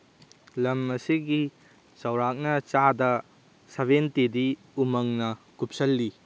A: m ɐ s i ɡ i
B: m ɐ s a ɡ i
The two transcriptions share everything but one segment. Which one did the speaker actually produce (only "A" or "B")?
A